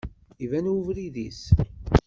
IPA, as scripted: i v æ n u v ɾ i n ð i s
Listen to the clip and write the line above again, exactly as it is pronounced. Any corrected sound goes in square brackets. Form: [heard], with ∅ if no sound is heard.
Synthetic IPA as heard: i v æ n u v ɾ i [∅] ð i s